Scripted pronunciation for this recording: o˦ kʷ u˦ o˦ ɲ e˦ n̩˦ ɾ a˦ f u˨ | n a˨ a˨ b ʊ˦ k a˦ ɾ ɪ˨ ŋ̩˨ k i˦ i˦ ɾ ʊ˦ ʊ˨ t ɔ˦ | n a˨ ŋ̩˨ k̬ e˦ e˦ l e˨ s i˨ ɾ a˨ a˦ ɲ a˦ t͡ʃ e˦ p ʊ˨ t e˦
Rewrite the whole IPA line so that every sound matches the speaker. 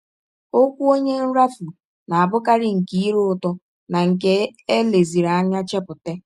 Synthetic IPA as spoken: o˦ kʷ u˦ o˦ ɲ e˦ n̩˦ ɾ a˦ f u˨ | n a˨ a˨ b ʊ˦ k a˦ ɾ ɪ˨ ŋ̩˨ k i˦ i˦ ɾ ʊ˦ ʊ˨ t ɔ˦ | n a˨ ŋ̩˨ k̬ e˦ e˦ l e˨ z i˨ ɾ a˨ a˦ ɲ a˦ t͡ʃ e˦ p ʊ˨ t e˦